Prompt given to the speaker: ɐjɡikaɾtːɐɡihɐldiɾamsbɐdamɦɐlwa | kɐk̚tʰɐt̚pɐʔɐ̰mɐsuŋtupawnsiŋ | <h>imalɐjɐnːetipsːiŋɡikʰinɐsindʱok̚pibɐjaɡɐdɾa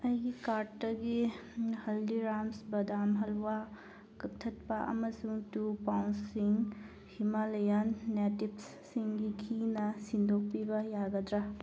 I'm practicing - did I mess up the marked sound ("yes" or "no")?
no